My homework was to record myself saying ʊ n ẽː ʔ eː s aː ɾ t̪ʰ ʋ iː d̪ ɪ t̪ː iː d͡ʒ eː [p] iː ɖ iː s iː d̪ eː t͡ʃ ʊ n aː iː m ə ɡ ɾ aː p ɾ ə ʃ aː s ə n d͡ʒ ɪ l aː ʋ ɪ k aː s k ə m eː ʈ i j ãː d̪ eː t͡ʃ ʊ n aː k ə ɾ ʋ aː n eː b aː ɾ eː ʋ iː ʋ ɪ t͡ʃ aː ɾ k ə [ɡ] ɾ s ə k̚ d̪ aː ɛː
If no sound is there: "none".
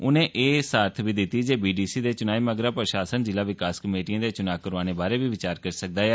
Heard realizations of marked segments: b, none

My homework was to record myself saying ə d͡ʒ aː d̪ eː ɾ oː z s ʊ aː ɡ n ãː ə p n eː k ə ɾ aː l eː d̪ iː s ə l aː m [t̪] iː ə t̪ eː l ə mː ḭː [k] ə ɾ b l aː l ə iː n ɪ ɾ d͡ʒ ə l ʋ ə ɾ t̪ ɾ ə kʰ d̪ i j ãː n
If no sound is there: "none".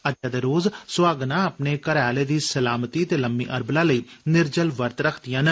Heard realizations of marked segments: t̪, ʔ

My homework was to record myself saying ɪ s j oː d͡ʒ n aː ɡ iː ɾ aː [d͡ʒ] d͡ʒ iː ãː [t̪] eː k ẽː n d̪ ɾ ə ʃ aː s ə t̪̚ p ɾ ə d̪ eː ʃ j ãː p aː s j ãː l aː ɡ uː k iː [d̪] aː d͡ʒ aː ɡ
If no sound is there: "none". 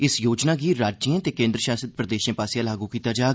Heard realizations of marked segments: d͡ʒ, t̪, t̪

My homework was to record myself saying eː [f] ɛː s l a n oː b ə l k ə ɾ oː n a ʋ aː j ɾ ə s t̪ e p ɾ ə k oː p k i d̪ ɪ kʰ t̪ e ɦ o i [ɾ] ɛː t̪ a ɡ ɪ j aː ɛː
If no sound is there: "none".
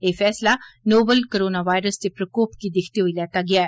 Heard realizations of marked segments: f, l

